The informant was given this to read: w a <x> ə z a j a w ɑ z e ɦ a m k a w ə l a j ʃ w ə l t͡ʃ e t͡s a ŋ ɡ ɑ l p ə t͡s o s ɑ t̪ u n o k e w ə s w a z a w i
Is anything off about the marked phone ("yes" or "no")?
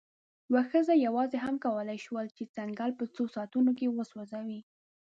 no